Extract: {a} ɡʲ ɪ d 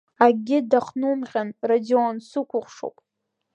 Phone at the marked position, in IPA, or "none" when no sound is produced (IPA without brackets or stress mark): a